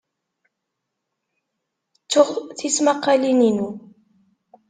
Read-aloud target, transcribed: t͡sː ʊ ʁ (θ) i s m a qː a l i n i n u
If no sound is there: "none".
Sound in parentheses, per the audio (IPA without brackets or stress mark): θ